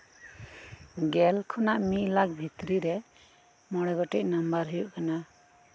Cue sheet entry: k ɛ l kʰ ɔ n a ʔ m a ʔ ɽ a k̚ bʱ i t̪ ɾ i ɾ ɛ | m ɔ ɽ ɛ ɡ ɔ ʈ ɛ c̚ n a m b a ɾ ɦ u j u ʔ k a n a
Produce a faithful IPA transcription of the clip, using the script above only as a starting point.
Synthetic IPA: ɡ ɛ l kʰ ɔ n a ʔ m i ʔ l a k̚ bʱ i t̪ ɾ i ɾ ɛ | m ɔ ɽ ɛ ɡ ɔ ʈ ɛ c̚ n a m b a ɾ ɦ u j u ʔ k a n a